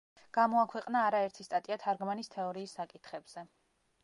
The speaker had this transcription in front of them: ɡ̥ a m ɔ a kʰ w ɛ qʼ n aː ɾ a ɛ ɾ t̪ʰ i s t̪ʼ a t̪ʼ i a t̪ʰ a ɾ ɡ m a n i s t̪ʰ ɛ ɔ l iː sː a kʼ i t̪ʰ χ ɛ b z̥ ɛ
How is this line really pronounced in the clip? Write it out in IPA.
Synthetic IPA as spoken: ɡ̥ a m ɔ a kʰ w ɛ qʼ n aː ɾ a ɛ ɾ t̪ʰ i s t̪ʼ a t̪ʼ i a t̪ʰ a ɾ ɡ m a n i s t̪ʰ ɛ ɔ ɾ iː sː a kʼ i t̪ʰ χ ɛ b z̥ ɛ

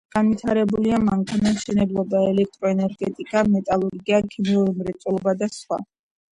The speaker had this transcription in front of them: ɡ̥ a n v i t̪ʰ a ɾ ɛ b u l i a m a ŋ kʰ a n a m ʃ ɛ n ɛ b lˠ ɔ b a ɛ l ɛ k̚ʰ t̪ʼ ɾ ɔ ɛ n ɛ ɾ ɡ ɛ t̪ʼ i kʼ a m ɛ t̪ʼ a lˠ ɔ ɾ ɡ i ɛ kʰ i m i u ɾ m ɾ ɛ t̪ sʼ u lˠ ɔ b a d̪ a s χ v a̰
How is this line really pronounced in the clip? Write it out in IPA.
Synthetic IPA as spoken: ɡ̥ a n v i t̪ʰ a ɾ ɛ b u l i a m a ŋ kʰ a n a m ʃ ɛ n ɛ b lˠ ɔ b a ɛ l ɛ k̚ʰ t̪ʼ ɾ ɔ ɛ n ɛ ɾ ɡ ɛ t̪ʼ i kʼ a m ɛ t̪ʼ a lˠ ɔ ɾ ɡ i a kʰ i m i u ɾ m ɾ ɛ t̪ sʼ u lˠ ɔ b a d̪ a s χ w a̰

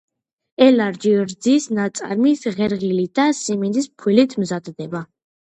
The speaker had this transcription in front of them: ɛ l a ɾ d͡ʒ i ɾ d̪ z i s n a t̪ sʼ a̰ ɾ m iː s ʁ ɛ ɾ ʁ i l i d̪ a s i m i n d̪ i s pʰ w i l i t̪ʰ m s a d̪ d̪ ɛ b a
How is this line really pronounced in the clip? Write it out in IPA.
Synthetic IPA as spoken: ɛ l a ɾ d͡ʒ i ɾ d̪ z i s n a t̪ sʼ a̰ ɾ m i s ʁ ɛ ɾ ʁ i l i d̪ a s i m i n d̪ i s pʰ w i l i t̪ʰ m z a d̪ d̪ ɛ b a

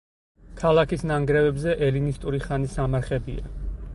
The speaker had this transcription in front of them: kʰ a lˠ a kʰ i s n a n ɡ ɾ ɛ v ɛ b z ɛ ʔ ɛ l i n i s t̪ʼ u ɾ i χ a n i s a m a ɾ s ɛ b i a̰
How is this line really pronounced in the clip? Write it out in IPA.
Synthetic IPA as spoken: kʰ a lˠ a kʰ i s n a ŋ ɡ ɾ ɛ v ɛ b z ɛ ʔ ɛ l i n i s t̪ʼ u ɾ i χ a n i s a m a ɾ χ ɛ b i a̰

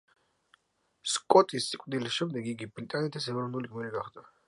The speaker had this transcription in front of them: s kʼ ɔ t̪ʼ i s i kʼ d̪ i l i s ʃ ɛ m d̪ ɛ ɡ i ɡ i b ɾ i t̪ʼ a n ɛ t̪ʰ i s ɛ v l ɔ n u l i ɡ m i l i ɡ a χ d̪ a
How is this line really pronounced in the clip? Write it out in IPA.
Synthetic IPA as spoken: s kʼ ɔ t̪ʼ i s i kʼ d̪ i l i s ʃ ɛ m d̪ ɛ ɡ i ɡ i b ɾ i t̪ʼ a n ɛ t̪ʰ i s ɛ v ɾ ɔ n u l i ɡ m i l i ɡ a χ d̪ a

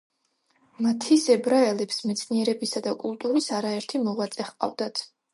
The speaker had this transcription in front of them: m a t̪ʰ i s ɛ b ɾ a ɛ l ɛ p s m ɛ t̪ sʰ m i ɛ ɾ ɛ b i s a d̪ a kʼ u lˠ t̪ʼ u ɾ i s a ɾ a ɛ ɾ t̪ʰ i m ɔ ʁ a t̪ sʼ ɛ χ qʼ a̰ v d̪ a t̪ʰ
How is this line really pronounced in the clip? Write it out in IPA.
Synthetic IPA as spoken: m a t̪ʰ i s ɛ b ɾ a ɛ l ɛ p s m ɛ t̪ sʰ n i ɛ ɾ ɛ b i s a d̪ a kʼ u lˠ t̪ʼ u ɾ i s a ɾ a ɛ ɾ t̪ʰ i m ɔ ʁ a t̪ sʼ ɛ χ qʼ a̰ v d̪ a t̪ʰ

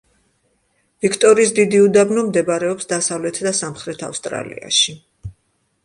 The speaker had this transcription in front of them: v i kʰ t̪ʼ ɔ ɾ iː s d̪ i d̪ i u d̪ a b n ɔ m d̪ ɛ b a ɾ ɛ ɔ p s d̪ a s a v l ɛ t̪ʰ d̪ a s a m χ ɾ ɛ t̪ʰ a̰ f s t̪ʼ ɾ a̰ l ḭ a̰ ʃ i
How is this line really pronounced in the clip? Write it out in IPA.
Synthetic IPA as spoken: v i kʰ t̪ʼ ɔ ɾ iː s d̪ i d̪ i u d̪ a b n ɔ m d̪ ɛ b a ɾ ɛ ɔ p s d̪ a s a v l ɛ t̪ʰ d̪ a s a m χ ɾ ɛ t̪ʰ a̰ f s t̪ʼ ɾ a̰ l ḭ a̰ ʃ i

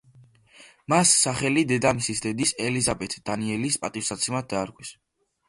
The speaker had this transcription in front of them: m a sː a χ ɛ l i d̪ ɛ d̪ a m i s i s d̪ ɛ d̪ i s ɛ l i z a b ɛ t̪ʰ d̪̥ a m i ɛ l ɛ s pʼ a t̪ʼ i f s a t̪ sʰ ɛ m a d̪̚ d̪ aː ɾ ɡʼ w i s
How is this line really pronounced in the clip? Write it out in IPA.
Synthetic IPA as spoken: m a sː a χ ɛ l i d̪ ɛ d̪ a m i s i s d̪ ɛ d̪ i s ɛ l i z a b ɛ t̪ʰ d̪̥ a n i ɛ l i s pʼ a t̪ʼ i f s a t̪ sʰ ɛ m a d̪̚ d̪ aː ɾ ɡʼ w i s

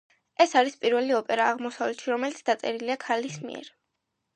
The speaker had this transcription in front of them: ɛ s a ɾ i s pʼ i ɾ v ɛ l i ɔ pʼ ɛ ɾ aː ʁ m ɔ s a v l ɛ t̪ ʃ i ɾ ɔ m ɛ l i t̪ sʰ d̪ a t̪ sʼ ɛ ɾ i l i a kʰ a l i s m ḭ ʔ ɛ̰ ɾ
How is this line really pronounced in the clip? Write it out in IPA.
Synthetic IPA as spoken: ɛ s a ɾ i s pʼ i ɾ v ɛ l i ɔ pʼ ɛ ɾ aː ʁ m ɔ s a v l ɛ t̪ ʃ i ɾ ɔ m ɛ l i t̪ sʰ d̪ a t̪ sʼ ɛ ɾ i l i a kʰ a l i s m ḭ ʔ ɛ̰ ɾ

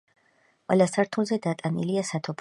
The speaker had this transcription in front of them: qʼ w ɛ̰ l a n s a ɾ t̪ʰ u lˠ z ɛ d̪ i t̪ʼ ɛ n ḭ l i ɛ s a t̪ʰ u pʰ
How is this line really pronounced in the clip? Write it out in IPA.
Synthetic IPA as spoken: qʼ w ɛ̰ l a s a ɾ t̪ʰ u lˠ z ɛ d̪ a t̪ʼ a n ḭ l i a s a t̪ʰ ɔ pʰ

